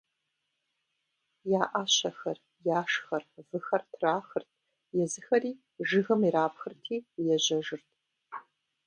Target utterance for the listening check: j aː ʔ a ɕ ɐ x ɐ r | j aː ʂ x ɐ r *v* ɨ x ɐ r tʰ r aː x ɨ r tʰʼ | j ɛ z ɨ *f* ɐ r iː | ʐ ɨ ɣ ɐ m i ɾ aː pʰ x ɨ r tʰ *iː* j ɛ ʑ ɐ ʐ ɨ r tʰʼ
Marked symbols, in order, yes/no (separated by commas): yes, no, yes